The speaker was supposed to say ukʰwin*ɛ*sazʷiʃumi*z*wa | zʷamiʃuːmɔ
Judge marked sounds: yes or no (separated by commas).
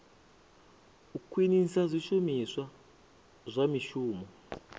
no, no